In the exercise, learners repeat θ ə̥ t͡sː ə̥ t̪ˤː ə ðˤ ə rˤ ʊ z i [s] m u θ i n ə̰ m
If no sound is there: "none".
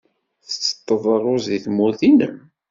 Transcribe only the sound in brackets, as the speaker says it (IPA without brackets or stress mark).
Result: θ